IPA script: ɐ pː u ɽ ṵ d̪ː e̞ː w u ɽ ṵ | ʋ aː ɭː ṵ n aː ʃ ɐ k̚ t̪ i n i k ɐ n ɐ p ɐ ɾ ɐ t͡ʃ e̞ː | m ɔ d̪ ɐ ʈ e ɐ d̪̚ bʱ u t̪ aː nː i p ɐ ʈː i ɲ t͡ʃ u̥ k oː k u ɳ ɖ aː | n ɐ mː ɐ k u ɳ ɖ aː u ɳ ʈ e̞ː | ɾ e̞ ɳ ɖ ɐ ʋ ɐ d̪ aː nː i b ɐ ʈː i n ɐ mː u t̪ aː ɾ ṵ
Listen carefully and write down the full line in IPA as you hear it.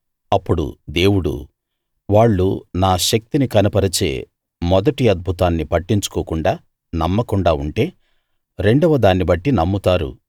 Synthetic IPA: ɐ pː u ɽ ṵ d̪ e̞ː w u ɽ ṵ | ʋ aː ɭː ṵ n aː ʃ ɐ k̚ t̪ i n i k ɐ n ɐ p ɐ ɾ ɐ t͡ʃ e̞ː | m ɔ d̪ ɐ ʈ i ɐ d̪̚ bʱ u t̪ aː nː i p ɐ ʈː i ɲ t͡ʃ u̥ k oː k u ɳ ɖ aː | n ɐ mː ɐ k u ɳ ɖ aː u ɳ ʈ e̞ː | ɾ e̞ ɳ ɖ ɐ ʋ ɐ d̪ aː nː i b ɐ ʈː i n ɐ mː u t̪ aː ɾ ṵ